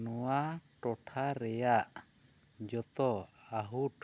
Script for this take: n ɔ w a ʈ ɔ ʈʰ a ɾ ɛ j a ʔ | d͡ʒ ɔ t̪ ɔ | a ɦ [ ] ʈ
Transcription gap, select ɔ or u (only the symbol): u